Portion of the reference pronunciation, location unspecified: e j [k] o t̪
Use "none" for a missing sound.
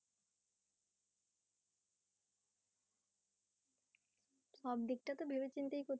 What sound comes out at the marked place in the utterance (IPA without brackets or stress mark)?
k